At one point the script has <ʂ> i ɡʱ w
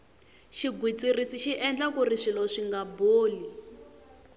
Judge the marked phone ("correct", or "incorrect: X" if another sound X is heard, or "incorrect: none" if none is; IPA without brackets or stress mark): incorrect: ʃ